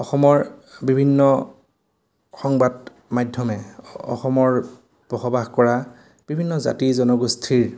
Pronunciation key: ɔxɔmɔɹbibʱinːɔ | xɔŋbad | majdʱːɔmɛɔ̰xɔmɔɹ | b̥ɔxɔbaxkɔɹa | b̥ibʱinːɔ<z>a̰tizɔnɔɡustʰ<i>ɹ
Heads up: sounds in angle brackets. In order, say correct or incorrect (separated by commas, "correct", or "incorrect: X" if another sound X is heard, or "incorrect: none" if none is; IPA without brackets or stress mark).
correct, correct